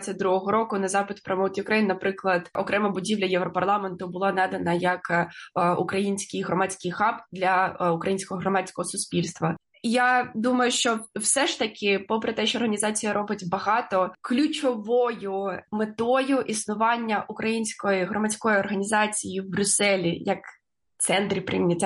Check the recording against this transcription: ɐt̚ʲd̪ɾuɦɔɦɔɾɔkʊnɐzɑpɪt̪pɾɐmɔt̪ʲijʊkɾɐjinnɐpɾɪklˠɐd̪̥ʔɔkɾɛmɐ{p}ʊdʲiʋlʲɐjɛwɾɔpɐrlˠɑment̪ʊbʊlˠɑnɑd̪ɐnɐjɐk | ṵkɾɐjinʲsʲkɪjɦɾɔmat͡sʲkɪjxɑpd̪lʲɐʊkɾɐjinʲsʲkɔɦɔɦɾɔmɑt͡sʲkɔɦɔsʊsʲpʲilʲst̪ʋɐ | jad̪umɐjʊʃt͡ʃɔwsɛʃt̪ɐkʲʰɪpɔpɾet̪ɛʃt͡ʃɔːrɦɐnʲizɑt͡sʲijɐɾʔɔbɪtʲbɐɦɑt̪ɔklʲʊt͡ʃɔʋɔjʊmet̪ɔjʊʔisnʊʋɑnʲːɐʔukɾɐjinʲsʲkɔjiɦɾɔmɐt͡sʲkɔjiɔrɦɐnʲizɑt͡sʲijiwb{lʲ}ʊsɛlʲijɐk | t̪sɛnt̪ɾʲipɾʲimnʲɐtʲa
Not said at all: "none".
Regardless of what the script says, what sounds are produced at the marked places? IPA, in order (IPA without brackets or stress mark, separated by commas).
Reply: b, ɾʲ